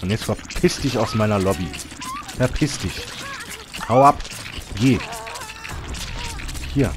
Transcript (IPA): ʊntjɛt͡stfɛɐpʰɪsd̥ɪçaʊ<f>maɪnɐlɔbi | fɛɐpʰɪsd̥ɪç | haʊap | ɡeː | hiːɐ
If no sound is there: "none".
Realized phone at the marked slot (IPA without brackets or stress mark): s